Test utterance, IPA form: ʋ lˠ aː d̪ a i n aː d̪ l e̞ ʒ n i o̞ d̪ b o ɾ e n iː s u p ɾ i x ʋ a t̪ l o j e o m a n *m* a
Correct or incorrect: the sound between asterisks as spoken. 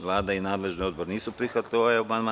correct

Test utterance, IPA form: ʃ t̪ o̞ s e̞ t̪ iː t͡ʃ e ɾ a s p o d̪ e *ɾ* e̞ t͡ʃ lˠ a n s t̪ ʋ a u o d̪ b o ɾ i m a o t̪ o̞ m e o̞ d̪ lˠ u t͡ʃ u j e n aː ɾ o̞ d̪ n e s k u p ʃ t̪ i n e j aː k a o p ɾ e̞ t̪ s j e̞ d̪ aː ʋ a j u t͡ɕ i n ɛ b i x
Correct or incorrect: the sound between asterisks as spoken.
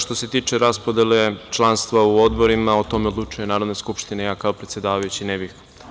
incorrect: l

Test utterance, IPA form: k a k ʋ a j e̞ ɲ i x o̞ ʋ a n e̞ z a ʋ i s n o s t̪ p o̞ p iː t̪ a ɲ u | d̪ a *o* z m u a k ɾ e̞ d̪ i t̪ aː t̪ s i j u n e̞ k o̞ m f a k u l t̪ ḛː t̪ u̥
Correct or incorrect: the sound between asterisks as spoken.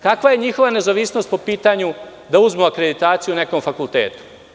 incorrect: u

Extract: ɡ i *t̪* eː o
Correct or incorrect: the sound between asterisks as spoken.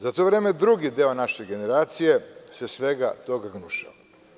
incorrect: d̪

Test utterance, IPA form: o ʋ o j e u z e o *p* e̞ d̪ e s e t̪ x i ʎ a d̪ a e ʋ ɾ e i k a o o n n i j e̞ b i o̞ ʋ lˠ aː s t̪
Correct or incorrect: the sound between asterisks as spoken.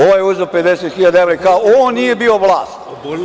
correct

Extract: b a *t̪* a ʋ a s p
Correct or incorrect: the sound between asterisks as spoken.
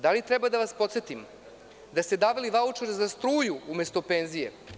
incorrect: d̪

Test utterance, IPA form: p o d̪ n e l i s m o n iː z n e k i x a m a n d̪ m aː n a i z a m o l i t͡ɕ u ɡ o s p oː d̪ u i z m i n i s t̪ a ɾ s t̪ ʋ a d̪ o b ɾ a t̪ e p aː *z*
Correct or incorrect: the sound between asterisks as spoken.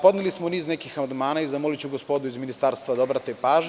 incorrect: ʒ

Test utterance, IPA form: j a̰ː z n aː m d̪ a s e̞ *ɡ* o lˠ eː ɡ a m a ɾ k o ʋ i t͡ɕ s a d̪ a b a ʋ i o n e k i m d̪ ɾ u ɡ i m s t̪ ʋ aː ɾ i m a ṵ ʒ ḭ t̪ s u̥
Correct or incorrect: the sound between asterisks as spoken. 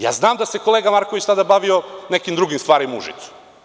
incorrect: k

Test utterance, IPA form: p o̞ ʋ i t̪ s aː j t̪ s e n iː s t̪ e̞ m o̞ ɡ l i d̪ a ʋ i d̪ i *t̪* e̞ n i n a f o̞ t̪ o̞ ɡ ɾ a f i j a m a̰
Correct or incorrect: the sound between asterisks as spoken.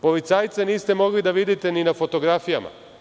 correct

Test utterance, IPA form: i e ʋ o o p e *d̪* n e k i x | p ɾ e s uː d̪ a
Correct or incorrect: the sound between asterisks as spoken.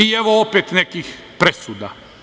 incorrect: t̪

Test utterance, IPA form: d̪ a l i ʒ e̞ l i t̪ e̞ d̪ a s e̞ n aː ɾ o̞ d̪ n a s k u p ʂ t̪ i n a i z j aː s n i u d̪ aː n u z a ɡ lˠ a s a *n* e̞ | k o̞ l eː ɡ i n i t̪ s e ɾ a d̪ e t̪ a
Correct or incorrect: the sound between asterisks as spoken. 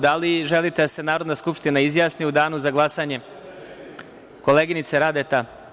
incorrect: ɲ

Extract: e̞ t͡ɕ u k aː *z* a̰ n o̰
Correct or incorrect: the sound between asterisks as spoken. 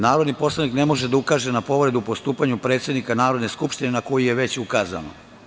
correct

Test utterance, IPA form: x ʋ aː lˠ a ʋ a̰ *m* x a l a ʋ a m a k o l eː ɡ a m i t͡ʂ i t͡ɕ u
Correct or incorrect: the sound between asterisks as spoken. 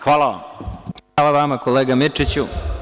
correct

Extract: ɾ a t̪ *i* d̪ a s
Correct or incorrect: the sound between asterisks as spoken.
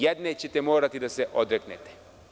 correct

